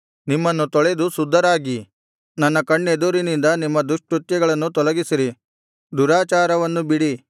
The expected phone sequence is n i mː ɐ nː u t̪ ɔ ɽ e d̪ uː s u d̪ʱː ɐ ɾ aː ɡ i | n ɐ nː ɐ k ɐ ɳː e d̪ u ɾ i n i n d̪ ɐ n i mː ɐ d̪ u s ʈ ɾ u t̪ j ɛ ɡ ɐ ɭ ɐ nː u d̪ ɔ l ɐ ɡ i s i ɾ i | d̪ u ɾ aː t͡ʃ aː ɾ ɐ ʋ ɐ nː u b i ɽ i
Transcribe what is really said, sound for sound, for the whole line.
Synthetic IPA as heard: n i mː ɐ nː u t̪ ɔ ɭ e d̪ u s u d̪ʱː ɐ ɾ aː ɡ i | n ɐ nː ɐ k ɐ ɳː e d̪ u ɾ i n i n d̪ ɐ n i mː ɐ d̪ u ʂ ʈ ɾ u t̪ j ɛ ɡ ɐ ɭ ɐ nː u t̪ ɔ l ɐ ɡ i s i ɾ i | d̪ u ɾ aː t͡ʃ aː ɾ ɐ ʋ ɐ nː u b i ɽ i